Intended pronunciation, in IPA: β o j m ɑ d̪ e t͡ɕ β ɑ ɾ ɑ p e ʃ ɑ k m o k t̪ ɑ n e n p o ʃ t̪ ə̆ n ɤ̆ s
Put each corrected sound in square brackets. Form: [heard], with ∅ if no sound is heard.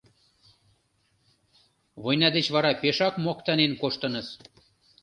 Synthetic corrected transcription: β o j [n] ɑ d̪ e t͡ɕ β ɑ ɾ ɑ p e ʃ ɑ k m o k t̪ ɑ n e n [k] o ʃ t̪ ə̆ n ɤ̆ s